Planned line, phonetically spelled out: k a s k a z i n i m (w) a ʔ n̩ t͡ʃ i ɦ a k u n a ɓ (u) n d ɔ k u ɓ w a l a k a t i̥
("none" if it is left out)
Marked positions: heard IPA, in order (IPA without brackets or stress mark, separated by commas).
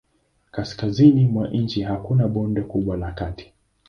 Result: w, ɔ